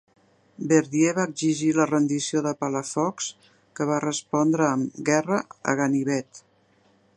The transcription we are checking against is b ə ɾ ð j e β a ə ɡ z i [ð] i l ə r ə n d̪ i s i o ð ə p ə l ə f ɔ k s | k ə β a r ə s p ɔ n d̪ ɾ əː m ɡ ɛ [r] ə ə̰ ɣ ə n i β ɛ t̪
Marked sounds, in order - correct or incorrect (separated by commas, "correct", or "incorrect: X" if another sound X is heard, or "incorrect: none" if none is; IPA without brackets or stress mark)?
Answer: incorrect: ʒ, correct